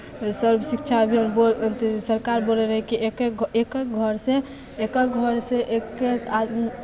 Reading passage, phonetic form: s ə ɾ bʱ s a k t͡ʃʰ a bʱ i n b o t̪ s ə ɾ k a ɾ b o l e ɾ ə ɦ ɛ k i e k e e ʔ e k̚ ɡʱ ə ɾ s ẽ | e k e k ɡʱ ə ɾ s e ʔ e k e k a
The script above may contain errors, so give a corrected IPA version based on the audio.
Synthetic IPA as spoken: s ə ɾ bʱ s i k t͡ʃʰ a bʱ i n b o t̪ s ə ɾ k a ɾ b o l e ɾ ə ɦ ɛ k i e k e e k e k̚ ɡʱ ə ɾ s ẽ | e k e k ɡʱ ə ɾ s e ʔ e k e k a